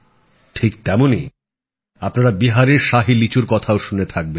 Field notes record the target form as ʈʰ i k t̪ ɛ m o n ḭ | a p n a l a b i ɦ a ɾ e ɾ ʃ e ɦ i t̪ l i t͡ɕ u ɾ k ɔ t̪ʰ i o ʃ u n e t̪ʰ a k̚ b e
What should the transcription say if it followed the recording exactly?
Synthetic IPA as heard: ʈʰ i k t̪ ɛ m o n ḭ | a p n a ɾ a b i ɦ a ɾ e ɾ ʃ a ɦ i l i t͡ɕ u ɾ k ɔ t̪ʰ a o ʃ u n e t̪ʰ a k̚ b e